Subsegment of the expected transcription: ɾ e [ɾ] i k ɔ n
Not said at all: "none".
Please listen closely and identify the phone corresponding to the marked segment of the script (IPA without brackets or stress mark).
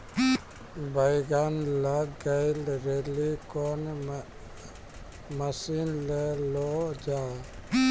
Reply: l